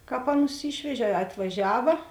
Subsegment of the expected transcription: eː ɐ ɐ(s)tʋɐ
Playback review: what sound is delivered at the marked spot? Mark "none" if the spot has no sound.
none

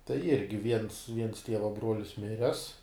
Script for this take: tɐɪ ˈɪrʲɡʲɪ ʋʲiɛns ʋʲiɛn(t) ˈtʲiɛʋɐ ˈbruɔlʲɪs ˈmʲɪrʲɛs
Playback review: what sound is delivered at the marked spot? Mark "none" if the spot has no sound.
s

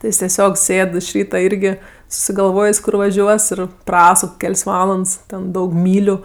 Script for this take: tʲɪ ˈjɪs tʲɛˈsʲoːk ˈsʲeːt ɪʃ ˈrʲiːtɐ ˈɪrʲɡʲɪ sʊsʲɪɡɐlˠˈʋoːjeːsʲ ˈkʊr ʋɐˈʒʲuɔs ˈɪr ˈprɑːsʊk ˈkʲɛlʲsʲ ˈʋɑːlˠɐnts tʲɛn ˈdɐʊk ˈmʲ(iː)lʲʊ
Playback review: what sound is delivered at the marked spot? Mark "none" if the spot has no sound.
iː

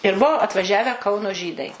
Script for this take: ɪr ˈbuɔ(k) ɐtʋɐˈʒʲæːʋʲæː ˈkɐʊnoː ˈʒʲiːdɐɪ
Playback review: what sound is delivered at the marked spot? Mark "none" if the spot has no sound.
none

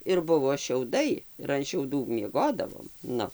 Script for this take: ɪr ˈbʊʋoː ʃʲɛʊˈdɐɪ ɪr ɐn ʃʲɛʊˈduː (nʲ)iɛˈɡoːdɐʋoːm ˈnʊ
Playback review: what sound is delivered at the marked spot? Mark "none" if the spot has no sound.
mʲ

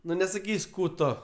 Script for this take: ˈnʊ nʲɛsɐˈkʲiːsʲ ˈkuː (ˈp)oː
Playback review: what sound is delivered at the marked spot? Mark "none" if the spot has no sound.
t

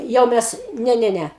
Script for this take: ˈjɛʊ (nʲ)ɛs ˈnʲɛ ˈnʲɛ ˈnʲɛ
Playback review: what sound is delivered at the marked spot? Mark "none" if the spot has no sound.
mʲ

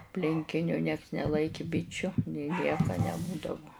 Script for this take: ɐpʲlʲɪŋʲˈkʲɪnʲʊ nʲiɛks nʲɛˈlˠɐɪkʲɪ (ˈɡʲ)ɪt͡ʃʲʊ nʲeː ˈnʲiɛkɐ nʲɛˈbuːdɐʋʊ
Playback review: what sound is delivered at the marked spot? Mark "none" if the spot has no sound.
bʲ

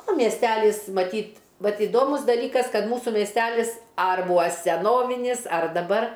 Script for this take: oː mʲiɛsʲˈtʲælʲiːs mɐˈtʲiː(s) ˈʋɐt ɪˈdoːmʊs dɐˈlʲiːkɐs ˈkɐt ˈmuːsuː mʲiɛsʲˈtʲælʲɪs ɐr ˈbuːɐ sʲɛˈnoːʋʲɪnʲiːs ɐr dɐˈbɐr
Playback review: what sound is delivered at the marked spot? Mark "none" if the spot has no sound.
t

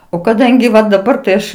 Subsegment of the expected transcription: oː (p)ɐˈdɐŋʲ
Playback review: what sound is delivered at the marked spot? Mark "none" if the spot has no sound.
k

